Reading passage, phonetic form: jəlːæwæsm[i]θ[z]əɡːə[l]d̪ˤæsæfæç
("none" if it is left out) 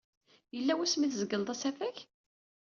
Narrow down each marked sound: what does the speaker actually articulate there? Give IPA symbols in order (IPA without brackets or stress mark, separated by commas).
i, z, l